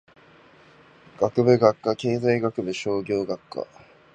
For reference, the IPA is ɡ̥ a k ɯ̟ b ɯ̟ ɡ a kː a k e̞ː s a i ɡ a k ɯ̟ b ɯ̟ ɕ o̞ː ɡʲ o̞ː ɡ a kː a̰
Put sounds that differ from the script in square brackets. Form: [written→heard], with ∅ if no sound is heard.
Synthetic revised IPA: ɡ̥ a k ɯ̟ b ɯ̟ ɡ a kː a k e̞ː [s→z] a i ɡ a k ɯ̟ b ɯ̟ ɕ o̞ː ɡʲ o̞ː ɡ a kː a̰